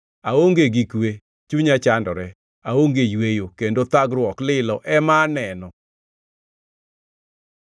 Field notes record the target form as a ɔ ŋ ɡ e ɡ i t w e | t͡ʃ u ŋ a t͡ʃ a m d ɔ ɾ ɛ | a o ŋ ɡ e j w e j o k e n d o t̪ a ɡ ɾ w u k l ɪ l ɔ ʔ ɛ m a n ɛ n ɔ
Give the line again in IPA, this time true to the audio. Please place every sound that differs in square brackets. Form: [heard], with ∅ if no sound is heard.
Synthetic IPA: a [o] ŋ ɡ e ɡ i [k] w e | t͡ʃ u [ɲ] a t͡ʃ a [n] d ɔ ɾ ɛ | a o ŋ ɡ e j w e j o k e n d o t̪ a ɡ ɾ w [ɔ] k l ɪ l ɔ ʔ ɛ m a n ɛ n ɔ